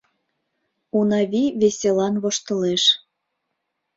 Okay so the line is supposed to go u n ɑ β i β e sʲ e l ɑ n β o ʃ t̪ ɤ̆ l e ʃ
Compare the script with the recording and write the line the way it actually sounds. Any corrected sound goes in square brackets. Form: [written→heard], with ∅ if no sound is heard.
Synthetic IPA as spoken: u n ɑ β i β e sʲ e l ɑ n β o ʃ t̪ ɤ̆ l e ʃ